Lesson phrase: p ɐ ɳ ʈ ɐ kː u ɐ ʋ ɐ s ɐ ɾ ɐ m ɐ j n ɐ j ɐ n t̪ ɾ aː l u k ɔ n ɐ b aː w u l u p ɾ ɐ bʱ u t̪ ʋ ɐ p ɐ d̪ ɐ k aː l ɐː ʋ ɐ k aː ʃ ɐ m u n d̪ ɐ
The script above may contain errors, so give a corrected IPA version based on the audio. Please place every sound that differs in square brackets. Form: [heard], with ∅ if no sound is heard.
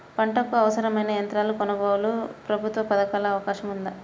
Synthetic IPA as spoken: p ɐ ɳ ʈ ɐ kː u ɐ ʋ ɐ s ɐ ɾ ɐ m ɐ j n ɐ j ɐ n t̪ ɾ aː l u k ɔ n ɐ b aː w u l u p ɾ ɐ bʱ u t̪ ʋ ɐ p ɐ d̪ ɐ k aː l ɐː ʋ ɐ k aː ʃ ɐ m u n d̪ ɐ